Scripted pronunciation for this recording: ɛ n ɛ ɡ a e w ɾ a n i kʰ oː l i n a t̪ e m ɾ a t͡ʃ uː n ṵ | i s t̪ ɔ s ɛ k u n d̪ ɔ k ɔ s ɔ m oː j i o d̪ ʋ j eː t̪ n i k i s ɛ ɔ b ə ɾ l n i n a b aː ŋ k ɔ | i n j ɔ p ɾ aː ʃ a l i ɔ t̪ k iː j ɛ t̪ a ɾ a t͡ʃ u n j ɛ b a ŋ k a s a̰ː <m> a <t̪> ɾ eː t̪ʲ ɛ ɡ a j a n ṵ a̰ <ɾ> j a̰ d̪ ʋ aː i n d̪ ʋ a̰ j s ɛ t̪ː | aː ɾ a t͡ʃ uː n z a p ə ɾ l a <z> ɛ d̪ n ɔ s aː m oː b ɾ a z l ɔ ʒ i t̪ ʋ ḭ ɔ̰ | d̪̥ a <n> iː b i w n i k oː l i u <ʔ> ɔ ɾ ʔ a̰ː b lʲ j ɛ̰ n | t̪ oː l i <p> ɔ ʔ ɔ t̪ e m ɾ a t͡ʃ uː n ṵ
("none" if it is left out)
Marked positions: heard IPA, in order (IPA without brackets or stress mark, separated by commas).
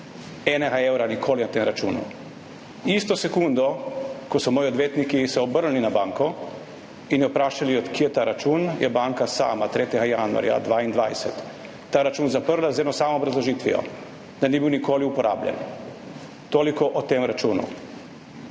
m, t̪, ɾ, z, n, p, k